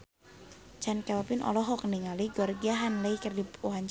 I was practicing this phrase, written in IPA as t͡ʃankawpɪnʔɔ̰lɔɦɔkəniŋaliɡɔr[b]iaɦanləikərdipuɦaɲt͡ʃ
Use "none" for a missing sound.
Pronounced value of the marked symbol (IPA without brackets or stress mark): ɡ